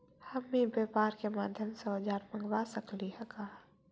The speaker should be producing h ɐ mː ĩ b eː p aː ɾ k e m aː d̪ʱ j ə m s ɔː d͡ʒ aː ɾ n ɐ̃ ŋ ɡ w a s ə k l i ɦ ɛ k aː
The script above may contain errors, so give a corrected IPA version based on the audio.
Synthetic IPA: h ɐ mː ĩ b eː p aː ɾ k e m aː d̪ʱ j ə m s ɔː d͡ʒ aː ɾ m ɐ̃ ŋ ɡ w a s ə k l i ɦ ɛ k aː

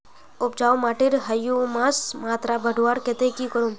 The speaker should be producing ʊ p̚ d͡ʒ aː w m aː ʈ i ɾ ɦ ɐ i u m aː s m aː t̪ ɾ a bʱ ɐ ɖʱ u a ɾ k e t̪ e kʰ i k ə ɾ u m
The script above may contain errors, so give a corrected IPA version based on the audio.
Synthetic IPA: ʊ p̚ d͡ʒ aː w m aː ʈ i ɾ ɦ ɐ j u m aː s m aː t̪ ɾ a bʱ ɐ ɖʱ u a ɾ k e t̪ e k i k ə ɾ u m

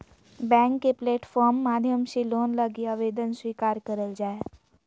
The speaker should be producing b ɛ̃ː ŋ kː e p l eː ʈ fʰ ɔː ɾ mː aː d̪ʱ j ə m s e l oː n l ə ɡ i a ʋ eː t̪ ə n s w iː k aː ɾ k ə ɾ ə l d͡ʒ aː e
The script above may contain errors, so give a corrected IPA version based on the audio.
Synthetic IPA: b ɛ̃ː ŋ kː e p l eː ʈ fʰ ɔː ɾ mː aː d̪ʱ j ə m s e l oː n l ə ɡ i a ʋ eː d̪ ə n s w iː k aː ɾ k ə ɾ ə l d͡ʒ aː e

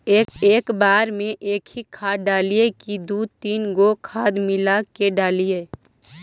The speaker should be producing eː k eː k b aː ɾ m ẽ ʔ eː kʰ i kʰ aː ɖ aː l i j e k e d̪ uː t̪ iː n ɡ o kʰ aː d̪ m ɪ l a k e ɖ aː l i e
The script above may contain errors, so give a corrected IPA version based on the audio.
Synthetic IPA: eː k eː k b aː ɾ m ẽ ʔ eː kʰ i kʰ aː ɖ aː l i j e k i d̪ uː t̪ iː n ɡ o kʰ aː d̪ m ɪ l a k e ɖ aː l i e

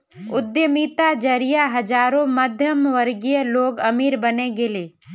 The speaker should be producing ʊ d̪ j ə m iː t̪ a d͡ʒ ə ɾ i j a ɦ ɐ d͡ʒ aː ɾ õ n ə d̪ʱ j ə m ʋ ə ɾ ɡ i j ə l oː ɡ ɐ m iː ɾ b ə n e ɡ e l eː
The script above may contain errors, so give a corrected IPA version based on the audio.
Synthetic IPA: ʊ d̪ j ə m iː t̪ a d͡ʒ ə ɾ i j a ɦ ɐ d͡ʒ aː ɾ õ m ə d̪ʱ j ə m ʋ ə ɾ ɡ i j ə l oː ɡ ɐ m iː ɾ b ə n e ɡ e l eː

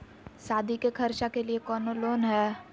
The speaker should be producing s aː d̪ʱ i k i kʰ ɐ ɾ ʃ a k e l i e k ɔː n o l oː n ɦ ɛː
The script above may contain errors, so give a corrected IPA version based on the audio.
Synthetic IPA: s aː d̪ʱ i k e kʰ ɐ ɾ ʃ a k e l i e k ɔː n o l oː n ɦ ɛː

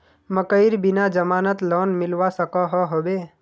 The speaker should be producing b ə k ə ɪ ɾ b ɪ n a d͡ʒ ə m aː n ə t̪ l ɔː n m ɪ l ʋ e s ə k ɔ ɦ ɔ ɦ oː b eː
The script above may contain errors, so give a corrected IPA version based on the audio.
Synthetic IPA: m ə k ə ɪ ɾ b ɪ n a d͡ʒ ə m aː n ə t̪ l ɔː n m ɪ l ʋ a s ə k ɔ ɦ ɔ ɦ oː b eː

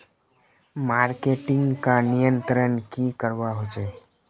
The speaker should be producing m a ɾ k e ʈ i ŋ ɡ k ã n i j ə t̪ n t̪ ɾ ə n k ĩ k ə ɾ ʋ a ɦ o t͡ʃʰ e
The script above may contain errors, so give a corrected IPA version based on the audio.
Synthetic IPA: m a ɾ k e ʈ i ŋ ɡ k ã n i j ə n t̪ ɾ ə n k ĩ k ə ɾ ʋ a ɦ o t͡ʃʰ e

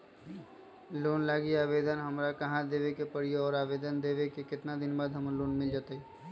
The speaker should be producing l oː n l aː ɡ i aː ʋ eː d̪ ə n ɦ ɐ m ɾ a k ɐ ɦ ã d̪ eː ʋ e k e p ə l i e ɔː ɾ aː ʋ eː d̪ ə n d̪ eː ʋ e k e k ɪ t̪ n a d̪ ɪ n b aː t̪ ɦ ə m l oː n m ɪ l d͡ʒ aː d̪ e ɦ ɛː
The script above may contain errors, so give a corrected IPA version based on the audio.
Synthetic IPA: l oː n l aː ɡ i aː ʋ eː d̪ ə n ɦ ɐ m ɾ a k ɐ ɦ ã d̪ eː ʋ e k e p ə ɽ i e ɔː ɾ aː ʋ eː d̪ ə n d̪ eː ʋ e k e k ɪ t̪ n a d̪ ɪ n b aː d̪ ɦ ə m l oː n m ɪ l d͡ʒ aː t̪ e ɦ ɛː

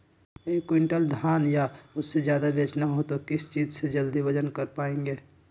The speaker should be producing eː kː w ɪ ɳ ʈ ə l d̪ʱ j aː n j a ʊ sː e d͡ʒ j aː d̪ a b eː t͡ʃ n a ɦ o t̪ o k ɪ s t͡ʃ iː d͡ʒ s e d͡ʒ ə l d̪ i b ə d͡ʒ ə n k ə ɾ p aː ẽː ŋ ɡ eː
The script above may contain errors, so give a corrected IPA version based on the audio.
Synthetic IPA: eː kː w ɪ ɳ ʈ ə l d̪ʱ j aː n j a ʊ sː e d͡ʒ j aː d̪ a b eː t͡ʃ n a ɦ o t̪ o k ɪ s t͡ʃ iː d͡ʒ s e d͡ʒ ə l d̪ i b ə d͡ʒ ə n k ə ɾ p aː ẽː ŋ ɡ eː

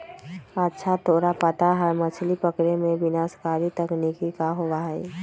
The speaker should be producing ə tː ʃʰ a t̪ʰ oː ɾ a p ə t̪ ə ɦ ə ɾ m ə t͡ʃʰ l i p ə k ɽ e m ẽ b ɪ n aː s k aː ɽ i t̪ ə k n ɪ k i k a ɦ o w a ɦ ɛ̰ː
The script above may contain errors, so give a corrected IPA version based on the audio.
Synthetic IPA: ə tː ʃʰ a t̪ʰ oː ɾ a p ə t̪ a ɦ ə ɾ m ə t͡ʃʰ l i p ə k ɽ e m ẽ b ɪ n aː s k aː ɾ i t̪ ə k n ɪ k i k a ɦ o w a ɦ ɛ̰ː

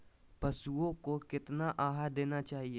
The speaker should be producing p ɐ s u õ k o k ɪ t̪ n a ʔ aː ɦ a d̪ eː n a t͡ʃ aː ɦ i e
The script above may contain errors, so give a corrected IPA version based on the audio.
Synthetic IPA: p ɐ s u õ k o k ɪ t̪ n a ʔ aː ɦ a d̪ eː n a t͡ʃ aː ɦ i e

